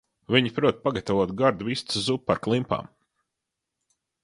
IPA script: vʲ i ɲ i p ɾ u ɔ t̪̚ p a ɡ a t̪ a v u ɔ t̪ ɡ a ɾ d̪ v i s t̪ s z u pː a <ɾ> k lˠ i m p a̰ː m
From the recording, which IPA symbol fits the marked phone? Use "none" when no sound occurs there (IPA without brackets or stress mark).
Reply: ɾ